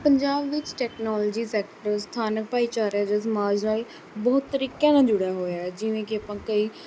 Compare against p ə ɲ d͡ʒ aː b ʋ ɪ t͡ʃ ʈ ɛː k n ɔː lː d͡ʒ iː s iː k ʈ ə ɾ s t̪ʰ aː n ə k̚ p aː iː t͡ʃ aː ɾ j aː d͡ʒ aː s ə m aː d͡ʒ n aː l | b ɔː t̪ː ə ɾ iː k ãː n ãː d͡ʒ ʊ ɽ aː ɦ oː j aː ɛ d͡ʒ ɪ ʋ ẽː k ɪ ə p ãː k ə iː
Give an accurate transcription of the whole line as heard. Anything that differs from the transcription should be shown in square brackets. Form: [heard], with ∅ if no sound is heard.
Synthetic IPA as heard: p ə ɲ d͡ʒ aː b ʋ ɪ t͡ʃ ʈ ɛː k n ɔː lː d͡ʒ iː s [ɛː] k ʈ ə ɾ s t̪ʰ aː n ə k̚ p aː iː t͡ʃ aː ɾ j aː d͡ʒ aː s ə m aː d͡ʒ n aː l | b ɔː t̪ː ə ɾ iː k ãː n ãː d͡ʒ ʊ ɽ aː ɦ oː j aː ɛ d͡ʒ ɪ ʋ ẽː k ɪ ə p ãː k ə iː

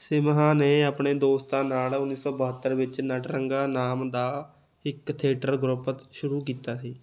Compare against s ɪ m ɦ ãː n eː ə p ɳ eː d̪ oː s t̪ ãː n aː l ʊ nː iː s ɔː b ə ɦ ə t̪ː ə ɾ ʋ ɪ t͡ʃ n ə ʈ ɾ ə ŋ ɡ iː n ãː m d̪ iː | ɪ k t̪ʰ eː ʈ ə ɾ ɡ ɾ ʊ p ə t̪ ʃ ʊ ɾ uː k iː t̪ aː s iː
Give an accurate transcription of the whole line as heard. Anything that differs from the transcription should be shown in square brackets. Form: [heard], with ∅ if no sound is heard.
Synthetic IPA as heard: s ɪ m ɦ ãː n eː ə p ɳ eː d̪ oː s t̪ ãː n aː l ʊ nː iː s ɔː b ə ɦ ə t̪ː ə ɾ ʋ ɪ t͡ʃ n ə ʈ ɾ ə ŋ ɡ [aː] n [aː] m d̪ [aː] | ɪ k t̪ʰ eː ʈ ə ɾ ɡ ɾ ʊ p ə t̪ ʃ ʊ ɾ uː k iː t̪ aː s iː

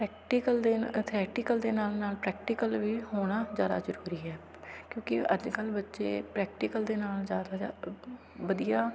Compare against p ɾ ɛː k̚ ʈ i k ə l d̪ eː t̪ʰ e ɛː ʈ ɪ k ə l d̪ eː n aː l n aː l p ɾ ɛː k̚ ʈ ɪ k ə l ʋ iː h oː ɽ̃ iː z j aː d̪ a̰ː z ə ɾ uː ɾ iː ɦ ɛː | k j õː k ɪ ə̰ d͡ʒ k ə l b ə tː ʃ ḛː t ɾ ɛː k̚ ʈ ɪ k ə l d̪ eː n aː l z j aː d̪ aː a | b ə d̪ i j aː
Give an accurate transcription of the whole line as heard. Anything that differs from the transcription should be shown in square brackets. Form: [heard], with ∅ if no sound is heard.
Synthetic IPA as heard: p ɾ ɛː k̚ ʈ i k ə l d̪ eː t̪ʰ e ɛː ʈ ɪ k ə l d̪ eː n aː l n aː l p ɾ ɛː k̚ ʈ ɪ k ə l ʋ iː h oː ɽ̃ [aː] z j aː d̪ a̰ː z ə ɾ uː ɾ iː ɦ ɛː | k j õː k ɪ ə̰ d͡ʒ k ə l b ə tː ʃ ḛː [p] ɾ ɛː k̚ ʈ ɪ k ə l d̪ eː n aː l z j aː d̪ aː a | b ə d̪ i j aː

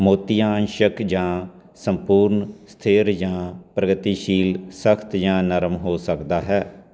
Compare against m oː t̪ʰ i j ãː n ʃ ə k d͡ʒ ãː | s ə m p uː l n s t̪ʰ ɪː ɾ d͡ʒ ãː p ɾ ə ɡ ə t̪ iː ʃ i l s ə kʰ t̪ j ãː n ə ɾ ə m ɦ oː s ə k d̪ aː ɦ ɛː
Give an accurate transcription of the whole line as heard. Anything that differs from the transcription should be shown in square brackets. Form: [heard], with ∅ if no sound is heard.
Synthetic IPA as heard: m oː [t̪] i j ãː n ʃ ə k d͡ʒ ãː | s ə m p uː [ɾ] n s t̪ʰ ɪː ɾ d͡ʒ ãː p ɾ ə ɡ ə t̪ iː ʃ [iː] l s ə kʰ t̪ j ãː n ə ɾ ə m ɦ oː s ə k d̪ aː ɦ ɛː

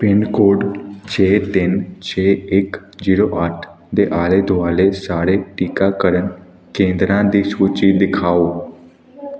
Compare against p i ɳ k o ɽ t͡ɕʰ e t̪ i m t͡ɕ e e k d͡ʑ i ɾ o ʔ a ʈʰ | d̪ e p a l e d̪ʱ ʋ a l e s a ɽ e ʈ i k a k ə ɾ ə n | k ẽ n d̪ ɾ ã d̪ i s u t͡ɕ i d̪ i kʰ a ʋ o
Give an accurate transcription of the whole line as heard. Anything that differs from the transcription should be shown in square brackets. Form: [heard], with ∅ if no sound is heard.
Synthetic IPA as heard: p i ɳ k o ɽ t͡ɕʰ e t̪ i [n] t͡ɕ e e k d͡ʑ i ɾ o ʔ a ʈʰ | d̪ e [ʔ] a l e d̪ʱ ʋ a l e s a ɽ e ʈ i k a k ə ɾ ə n | k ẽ n d̪ ɾ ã d̪ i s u t͡ɕ i d̪ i kʰ a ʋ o

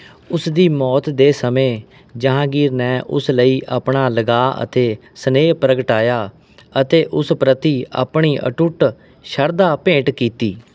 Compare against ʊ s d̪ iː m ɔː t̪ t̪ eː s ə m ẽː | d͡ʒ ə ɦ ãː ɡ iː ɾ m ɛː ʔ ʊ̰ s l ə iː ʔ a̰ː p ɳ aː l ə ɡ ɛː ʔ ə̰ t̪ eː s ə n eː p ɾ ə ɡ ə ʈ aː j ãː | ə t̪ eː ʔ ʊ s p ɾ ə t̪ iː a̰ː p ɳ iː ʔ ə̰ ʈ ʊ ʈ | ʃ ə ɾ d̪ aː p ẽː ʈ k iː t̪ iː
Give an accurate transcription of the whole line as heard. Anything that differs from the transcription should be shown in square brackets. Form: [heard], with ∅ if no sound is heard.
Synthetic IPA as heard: ʊ s d̪ iː m ɔː t̪ [d̪] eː s ə m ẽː | d͡ʒ ə ɦ ãː ɡ iː ɾ [n] ɛː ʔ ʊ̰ s l ə iː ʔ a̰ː p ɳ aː l ə ɡ [aː] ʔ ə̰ t̪ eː s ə n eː p ɾ ə ɡ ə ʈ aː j [aː] | ə t̪ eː ʔ ʊ s p ɾ ə t̪ iː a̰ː p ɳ iː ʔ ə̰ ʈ ʊ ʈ | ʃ ə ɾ d̪ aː p ẽː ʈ k iː t̪ iː

